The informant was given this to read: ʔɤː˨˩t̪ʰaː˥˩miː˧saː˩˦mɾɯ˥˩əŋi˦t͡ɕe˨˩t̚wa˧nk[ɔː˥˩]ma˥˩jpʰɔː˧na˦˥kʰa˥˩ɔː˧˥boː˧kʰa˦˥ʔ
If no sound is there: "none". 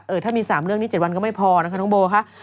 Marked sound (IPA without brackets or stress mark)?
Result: ɔ˥˩